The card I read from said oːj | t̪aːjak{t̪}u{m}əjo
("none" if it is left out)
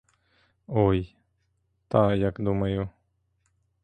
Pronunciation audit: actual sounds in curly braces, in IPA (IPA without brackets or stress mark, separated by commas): d̪, m